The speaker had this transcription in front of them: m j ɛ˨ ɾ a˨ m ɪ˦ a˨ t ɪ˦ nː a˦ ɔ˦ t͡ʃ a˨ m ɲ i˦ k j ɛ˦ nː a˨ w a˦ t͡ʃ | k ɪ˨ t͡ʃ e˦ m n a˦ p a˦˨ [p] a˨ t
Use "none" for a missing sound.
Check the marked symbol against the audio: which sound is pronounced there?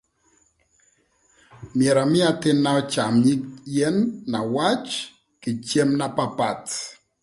p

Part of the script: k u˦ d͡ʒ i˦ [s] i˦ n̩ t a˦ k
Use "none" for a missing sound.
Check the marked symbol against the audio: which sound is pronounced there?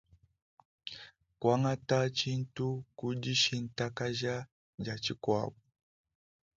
ʃ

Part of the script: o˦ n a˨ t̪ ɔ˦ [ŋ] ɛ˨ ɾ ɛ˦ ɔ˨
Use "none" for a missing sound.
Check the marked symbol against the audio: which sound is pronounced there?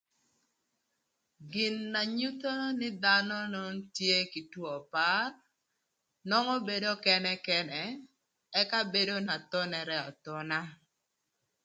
n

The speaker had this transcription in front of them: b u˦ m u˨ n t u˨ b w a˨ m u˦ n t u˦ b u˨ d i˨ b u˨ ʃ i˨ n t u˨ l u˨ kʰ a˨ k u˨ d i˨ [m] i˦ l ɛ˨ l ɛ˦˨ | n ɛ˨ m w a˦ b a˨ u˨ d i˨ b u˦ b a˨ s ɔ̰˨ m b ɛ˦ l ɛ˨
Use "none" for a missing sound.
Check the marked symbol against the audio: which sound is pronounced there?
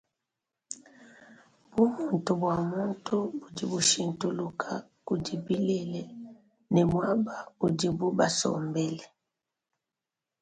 b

